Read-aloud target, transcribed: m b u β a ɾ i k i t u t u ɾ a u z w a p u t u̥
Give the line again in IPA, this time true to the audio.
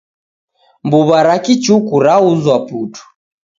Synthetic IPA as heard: m b u β a ɾ a k i t͡ʃ u k u ɾ a u z w a p u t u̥